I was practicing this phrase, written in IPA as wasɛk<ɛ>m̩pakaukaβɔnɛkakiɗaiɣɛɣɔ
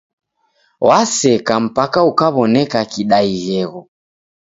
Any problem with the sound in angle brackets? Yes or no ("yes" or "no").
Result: yes